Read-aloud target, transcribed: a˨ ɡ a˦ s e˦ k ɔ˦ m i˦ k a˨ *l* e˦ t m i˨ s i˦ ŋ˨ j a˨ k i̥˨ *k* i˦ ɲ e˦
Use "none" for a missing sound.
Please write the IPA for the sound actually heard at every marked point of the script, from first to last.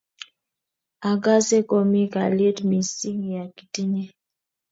l, t

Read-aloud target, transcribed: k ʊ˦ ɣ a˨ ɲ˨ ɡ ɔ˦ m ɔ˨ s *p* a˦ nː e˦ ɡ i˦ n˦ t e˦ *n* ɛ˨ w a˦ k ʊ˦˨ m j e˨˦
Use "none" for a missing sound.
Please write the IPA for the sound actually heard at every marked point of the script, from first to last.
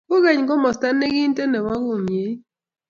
t, n

